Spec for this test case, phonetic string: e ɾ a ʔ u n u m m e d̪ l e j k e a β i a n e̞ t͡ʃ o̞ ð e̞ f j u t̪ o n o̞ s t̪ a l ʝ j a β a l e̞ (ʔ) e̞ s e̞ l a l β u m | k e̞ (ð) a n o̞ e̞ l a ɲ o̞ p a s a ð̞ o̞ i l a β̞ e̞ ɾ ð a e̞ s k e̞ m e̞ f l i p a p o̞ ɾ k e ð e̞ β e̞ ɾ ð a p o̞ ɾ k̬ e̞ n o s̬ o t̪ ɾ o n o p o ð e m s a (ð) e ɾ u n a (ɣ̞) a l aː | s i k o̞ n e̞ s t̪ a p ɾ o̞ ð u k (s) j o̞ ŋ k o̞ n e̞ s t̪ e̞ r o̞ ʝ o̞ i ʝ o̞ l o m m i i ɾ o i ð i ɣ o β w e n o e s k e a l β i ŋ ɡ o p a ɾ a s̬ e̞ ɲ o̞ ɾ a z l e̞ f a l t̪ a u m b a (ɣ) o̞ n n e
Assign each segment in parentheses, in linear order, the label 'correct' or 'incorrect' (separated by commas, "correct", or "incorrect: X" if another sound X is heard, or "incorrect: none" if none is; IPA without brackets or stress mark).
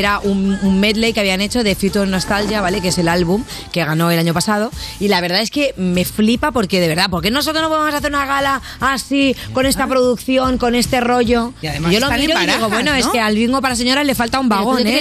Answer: incorrect: k, incorrect: ɣ, incorrect: θ, correct, incorrect: θ, correct